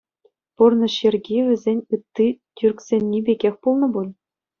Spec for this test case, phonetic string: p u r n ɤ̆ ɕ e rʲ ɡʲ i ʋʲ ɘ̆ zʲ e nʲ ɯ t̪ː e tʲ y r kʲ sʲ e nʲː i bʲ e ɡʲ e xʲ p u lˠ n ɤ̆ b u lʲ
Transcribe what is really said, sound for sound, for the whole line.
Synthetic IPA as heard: p u r n ɤ̆ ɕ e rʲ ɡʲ i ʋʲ ɘ̆ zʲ e nʲ ɯ t̪ː i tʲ y r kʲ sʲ e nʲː i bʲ e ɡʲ e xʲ p u lˠ n ɤ̆ b u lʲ